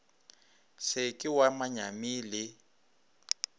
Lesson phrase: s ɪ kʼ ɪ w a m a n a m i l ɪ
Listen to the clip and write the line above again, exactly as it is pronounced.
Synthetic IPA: s ɪ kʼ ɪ w a m a ɲ a m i l ɪ